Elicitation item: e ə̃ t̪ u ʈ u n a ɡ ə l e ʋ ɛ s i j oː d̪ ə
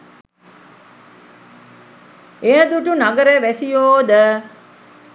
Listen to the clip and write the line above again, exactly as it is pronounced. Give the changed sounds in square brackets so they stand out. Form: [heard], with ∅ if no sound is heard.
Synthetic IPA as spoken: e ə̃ [d̪] u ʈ u n a ɡ ə [ɾ] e ʋ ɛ s i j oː d̪ ə